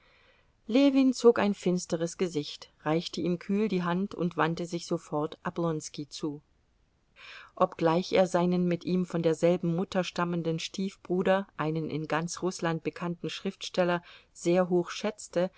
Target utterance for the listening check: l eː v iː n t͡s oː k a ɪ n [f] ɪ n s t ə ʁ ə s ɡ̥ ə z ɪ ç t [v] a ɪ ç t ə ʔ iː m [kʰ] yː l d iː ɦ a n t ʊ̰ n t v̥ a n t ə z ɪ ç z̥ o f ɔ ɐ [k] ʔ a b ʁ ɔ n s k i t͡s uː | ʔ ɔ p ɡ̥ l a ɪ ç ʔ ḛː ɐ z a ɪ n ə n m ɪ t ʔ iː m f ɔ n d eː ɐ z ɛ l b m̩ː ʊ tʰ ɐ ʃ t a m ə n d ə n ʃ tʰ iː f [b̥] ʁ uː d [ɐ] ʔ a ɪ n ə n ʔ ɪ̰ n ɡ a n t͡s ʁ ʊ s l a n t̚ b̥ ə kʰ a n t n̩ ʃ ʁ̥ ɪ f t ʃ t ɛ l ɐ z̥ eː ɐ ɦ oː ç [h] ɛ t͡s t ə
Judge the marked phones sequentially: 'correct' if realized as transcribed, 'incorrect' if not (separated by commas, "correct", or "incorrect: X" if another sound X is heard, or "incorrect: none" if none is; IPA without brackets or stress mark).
correct, incorrect: ʁ, correct, incorrect: t, correct, correct, incorrect: ʃ